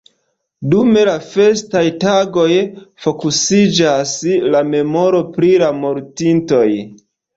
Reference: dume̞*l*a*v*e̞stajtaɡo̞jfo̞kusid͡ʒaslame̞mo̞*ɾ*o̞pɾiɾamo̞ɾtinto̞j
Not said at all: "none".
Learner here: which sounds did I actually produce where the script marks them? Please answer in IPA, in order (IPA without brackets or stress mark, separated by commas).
l, f, ɾ